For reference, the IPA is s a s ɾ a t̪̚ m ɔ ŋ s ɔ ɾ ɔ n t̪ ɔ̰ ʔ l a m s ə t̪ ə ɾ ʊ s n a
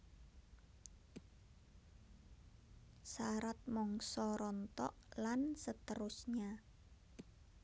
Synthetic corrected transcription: s a ɾ a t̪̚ m ɔ ŋ s ɔ ɾ ɔ n t̪ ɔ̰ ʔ l a n s ə t̪ ə ɾ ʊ s ɲ a